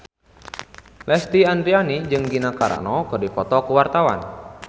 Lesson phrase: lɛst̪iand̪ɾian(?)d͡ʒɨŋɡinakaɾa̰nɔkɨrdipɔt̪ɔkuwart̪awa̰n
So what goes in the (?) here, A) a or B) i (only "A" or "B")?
B